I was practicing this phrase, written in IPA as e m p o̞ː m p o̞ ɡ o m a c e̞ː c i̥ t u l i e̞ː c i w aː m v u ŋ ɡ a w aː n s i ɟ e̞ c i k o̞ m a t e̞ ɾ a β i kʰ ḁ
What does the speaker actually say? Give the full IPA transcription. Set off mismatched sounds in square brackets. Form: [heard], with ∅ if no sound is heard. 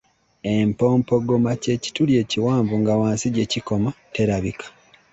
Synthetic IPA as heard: e m p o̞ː m p o̞ ɡ o m a c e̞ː c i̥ t u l [j] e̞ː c i w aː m v u ŋ ɡ a w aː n s i ɟ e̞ c i k o̞ m a t e̞ ɾ a β i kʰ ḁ